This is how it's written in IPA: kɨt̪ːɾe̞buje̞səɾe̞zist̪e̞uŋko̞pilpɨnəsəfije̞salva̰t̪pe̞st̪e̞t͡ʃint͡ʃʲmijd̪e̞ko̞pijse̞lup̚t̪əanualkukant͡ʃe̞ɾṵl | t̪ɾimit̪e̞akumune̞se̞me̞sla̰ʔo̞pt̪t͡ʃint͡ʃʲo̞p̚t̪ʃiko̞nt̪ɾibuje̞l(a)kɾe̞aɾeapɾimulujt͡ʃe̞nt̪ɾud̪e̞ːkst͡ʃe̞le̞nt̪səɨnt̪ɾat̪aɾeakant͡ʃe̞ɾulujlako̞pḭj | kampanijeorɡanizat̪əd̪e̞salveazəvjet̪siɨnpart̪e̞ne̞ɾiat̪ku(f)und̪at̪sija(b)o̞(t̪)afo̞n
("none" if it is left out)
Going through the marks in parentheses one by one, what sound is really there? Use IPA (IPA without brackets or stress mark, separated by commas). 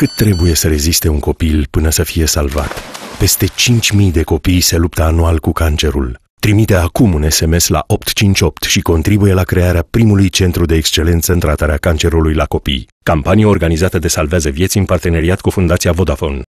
a, f, v, d̪